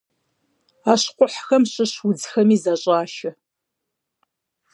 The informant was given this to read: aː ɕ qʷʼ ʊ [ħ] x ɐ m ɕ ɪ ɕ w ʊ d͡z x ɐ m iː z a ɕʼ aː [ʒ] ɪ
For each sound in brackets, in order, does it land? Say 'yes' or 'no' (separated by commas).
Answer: yes, no